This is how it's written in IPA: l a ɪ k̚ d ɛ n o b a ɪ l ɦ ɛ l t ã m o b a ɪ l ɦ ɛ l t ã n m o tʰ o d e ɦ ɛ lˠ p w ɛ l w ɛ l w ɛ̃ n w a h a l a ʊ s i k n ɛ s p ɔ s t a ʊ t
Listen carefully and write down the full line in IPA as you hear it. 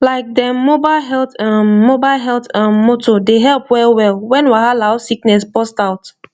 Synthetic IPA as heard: l a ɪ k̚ d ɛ m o b a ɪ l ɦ ɛ l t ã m o b a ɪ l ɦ ɛ l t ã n m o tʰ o d e ɦ ɛ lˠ p w ɛ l w ɛ l w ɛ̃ n w a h a l a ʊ s i k n ɛ s p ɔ s t a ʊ t